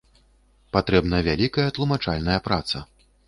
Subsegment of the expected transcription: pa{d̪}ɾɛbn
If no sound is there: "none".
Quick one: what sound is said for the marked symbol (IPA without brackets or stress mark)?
t̪